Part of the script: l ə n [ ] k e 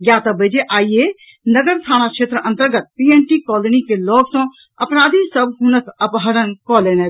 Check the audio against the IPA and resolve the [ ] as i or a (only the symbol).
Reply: i